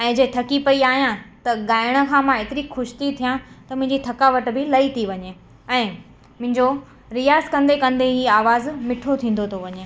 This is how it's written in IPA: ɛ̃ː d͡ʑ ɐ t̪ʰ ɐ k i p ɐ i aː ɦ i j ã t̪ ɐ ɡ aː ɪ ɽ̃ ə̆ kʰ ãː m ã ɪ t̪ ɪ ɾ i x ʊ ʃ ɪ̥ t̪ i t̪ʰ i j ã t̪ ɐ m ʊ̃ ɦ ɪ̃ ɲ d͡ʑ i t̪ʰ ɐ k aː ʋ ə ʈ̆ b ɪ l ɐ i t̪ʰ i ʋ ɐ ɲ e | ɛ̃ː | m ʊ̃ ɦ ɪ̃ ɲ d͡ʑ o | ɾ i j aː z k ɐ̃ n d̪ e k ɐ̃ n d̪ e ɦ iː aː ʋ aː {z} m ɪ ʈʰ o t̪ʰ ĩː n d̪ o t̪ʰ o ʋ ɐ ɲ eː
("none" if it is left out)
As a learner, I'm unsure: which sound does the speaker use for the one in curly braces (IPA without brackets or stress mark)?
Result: z